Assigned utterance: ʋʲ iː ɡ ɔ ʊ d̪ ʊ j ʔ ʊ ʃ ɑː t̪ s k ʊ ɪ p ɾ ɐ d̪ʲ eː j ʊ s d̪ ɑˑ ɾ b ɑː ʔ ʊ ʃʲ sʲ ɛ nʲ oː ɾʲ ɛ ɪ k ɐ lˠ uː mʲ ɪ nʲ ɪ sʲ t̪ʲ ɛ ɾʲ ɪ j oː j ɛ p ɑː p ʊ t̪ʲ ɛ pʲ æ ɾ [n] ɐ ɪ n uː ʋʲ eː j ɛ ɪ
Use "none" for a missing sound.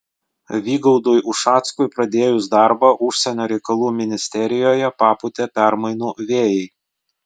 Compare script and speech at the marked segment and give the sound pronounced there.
m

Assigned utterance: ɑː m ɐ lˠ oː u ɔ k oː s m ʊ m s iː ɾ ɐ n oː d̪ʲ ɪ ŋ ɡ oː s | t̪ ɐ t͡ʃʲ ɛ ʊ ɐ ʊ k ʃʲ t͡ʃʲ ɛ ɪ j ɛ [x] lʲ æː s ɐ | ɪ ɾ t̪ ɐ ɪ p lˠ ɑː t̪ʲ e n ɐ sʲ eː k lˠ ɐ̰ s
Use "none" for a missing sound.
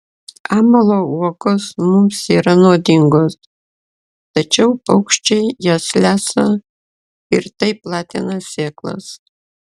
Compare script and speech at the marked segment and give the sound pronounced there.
s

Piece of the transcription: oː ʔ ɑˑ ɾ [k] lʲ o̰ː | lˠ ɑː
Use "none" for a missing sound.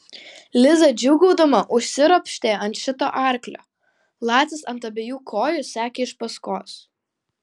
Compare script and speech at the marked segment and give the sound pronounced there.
k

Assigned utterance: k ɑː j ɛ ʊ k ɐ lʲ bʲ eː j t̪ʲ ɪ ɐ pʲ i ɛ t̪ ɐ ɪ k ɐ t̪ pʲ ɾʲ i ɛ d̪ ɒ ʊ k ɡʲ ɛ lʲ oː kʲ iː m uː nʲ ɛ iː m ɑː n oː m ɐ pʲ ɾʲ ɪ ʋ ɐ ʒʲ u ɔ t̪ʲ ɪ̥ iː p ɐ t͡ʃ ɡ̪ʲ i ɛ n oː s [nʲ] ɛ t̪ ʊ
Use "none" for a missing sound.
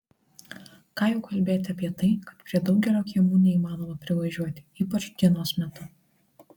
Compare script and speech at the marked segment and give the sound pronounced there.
mʲ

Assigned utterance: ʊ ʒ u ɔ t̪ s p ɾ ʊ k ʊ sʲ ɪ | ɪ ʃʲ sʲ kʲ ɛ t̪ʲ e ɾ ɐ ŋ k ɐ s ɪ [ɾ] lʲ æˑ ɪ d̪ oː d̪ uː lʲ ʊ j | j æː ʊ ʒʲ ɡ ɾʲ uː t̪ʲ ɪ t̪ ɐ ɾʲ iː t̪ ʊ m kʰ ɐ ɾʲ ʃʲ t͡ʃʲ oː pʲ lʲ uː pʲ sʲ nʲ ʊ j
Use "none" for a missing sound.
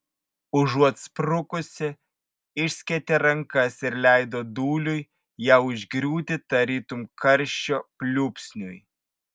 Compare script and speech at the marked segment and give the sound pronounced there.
ɾ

